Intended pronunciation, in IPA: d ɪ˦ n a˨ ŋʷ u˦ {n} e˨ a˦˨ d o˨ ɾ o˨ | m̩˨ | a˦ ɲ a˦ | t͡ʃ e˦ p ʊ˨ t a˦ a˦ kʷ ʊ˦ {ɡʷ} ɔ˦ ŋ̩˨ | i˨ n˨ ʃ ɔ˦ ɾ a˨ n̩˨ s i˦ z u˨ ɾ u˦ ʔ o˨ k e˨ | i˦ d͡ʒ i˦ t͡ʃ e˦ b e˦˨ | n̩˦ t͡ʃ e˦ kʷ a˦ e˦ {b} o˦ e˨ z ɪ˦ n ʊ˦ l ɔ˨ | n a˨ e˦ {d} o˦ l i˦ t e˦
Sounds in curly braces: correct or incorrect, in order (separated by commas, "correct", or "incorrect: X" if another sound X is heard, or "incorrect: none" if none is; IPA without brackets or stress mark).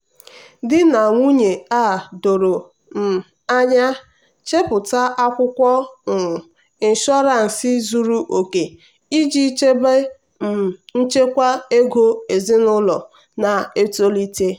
incorrect: ɲ, incorrect: kʷ, incorrect: ɡ, incorrect: t